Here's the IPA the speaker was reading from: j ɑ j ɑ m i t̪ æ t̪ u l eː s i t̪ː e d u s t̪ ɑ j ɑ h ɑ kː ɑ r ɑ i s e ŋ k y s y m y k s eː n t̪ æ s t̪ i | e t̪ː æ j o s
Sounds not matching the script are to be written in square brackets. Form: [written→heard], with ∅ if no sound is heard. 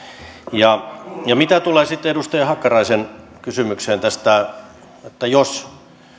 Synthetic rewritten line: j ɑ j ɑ m i t̪ æ t̪ u l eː s i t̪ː e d u s t̪ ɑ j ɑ h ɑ kː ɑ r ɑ i s e [ŋ→n] k y s y m y k s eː n t̪ æ s t̪ [i→æ] | e t̪ː æ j o s